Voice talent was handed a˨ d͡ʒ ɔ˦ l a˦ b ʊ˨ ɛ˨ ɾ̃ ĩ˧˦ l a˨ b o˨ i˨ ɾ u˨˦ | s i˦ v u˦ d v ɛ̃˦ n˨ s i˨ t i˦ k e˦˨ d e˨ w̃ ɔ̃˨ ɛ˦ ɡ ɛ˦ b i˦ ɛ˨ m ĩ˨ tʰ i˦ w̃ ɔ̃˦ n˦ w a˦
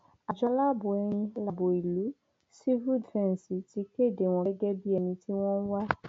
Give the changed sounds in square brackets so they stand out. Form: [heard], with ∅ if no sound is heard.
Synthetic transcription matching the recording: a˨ d͡ʒ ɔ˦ l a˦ b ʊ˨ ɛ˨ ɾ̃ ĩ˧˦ l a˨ b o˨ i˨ [l] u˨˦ | s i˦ v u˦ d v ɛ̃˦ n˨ s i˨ t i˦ k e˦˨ d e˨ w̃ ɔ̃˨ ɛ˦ ɡ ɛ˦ b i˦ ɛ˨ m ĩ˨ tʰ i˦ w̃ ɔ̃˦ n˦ w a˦